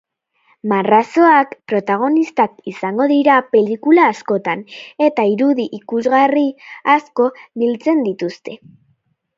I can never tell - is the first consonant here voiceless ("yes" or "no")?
no